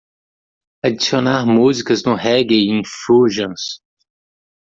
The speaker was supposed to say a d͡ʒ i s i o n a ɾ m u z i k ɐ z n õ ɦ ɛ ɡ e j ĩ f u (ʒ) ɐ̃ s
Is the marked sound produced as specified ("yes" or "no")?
yes